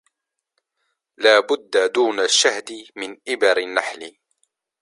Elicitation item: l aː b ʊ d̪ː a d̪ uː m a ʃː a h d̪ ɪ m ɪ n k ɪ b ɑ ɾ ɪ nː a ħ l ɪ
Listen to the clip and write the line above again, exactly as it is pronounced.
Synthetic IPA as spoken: l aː b ʊ d̪ː a d̪ uː n a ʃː a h d̪ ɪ m ɪ n ʔ ɪ b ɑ ɾ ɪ nː a ħ l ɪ